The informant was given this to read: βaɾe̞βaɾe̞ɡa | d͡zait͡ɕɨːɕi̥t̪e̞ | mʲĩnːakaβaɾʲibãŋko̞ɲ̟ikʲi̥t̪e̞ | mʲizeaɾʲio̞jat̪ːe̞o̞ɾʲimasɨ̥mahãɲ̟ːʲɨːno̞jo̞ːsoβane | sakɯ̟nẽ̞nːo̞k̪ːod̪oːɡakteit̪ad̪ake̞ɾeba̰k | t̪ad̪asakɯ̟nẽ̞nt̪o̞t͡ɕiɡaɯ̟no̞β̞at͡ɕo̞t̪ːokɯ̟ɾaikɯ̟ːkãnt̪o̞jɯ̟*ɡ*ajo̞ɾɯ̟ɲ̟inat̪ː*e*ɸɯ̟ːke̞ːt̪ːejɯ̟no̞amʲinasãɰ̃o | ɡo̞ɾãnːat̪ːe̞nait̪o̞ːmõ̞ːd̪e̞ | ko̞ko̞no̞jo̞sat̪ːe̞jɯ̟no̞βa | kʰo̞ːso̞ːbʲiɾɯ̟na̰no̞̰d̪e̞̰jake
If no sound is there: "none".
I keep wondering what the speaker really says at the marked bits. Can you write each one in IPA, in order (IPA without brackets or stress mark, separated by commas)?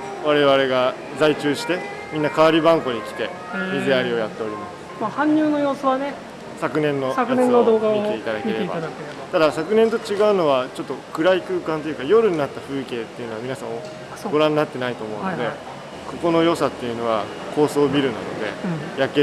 k, a